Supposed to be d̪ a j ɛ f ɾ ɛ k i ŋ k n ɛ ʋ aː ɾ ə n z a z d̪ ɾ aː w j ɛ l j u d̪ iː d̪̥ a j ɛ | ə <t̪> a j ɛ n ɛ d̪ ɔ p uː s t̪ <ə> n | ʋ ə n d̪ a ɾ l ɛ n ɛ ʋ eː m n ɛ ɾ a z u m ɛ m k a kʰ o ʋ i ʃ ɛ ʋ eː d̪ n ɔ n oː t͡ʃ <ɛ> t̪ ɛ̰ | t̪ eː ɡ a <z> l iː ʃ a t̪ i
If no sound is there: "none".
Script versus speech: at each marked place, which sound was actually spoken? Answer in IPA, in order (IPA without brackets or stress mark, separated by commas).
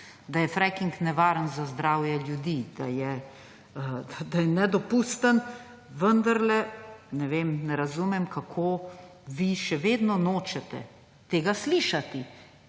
d̪, ə, ɛ, s